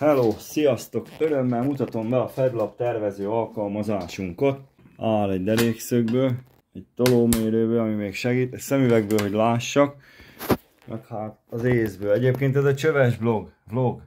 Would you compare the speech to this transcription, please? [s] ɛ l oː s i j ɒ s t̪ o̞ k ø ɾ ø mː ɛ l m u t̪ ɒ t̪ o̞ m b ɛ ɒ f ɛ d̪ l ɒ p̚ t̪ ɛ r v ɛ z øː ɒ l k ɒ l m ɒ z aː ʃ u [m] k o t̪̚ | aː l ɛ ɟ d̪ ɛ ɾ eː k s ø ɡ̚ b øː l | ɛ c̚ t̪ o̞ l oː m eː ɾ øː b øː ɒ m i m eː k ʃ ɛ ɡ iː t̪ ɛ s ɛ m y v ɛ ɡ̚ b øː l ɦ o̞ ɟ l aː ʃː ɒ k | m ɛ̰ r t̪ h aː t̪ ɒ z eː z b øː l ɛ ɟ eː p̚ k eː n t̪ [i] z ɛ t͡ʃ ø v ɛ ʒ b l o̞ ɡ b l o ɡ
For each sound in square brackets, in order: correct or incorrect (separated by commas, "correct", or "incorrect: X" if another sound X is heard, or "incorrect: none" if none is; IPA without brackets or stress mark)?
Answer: incorrect: h, incorrect: ŋ, incorrect: ɛ